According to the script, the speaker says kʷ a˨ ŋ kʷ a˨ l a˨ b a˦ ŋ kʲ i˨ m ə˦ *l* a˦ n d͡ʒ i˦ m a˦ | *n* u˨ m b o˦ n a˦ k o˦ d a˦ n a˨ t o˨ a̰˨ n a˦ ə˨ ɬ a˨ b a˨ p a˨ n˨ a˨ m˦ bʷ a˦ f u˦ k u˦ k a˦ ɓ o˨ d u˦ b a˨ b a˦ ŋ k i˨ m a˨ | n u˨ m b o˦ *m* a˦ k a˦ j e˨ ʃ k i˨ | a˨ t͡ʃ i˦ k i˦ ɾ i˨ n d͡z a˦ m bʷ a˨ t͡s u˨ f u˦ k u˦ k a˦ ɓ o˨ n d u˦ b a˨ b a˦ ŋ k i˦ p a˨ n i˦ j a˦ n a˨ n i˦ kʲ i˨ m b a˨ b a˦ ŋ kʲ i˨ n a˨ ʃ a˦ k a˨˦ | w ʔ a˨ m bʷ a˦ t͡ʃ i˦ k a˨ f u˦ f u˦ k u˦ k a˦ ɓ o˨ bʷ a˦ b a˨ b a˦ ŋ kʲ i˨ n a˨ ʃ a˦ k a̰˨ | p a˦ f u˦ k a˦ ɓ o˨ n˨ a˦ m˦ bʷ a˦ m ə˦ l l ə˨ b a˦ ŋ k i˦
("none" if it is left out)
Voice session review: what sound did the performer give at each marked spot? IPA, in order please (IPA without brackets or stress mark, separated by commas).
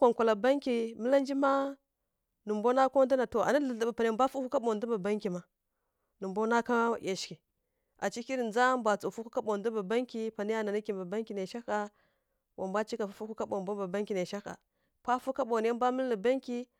l, n, n